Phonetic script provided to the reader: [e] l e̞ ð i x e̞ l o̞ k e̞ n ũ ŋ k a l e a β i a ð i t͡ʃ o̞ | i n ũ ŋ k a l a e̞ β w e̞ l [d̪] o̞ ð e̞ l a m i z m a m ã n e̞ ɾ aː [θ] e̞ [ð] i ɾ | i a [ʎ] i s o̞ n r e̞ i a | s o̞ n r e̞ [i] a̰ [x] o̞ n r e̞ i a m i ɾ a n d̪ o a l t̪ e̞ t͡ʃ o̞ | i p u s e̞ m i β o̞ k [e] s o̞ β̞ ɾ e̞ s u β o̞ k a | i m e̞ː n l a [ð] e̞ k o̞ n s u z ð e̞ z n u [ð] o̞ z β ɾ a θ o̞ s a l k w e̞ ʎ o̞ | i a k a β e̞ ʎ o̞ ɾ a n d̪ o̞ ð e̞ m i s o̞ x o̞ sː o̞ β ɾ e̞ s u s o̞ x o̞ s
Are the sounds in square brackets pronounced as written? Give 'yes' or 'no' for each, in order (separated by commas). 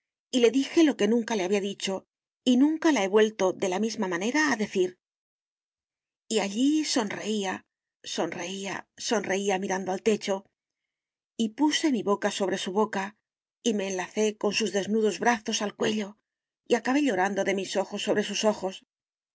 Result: no, no, no, no, yes, yes, no, no, no, yes